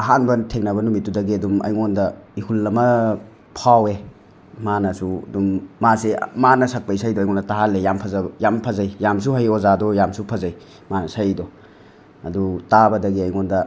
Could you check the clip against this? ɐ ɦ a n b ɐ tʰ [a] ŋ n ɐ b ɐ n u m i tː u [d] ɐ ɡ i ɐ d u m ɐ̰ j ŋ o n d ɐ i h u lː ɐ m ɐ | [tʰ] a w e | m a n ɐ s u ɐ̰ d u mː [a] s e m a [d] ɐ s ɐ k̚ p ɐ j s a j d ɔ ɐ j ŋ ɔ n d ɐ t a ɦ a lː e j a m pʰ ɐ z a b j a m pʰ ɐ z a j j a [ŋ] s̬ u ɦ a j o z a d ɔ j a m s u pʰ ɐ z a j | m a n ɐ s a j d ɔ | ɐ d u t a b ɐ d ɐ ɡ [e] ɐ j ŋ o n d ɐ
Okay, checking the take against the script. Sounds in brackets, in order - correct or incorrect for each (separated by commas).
incorrect, correct, incorrect, correct, incorrect, incorrect, incorrect